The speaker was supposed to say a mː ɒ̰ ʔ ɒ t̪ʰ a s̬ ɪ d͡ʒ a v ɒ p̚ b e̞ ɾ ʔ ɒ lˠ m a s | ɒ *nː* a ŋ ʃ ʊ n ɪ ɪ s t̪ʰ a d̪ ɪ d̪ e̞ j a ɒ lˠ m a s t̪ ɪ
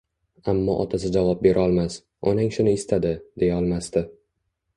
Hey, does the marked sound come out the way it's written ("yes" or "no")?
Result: no